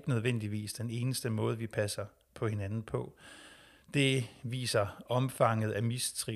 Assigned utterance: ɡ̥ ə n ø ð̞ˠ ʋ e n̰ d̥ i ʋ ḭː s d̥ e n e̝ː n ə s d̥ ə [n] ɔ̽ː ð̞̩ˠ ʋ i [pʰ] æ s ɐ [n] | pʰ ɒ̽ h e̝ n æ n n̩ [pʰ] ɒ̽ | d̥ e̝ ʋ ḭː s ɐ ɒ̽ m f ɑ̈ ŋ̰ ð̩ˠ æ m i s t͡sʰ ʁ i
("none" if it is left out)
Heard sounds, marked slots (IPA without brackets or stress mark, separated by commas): m, pʰ, none, pʰ